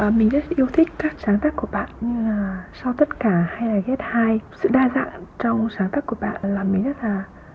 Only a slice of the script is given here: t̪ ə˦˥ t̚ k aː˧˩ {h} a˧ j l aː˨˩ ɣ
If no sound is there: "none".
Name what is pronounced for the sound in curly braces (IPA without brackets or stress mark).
h